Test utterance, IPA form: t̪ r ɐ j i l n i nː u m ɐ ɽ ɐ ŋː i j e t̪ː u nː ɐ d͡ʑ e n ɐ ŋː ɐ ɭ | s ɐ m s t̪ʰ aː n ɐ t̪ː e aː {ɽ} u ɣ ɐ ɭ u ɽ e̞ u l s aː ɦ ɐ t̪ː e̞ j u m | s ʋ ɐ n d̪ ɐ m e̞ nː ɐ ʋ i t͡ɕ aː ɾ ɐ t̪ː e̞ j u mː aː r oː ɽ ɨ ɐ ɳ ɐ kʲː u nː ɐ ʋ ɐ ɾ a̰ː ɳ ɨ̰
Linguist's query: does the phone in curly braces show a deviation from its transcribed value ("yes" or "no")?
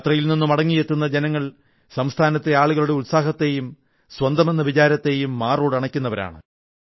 yes